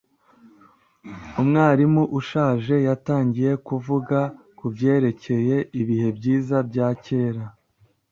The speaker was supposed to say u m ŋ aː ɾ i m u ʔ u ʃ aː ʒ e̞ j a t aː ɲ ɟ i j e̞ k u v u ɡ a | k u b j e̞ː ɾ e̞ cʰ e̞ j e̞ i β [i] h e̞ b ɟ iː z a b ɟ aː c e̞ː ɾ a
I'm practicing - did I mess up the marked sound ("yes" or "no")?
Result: no